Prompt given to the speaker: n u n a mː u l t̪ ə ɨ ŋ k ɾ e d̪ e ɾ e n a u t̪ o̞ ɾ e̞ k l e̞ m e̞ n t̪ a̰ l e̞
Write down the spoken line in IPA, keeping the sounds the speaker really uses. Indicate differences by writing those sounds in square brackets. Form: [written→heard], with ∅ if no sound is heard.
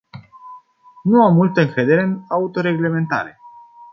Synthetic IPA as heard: n u [n→∅] a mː u l t̪ ə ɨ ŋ k ɾ e d̪ e ɾ e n a u t̪ o̞ ɾ e̞ [k→ɡ] l e̞ m e̞ n t̪ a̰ [l→ɾ] e̞